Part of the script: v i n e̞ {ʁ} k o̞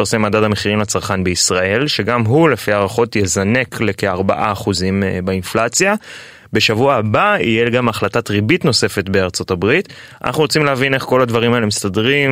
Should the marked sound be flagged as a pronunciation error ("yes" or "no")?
yes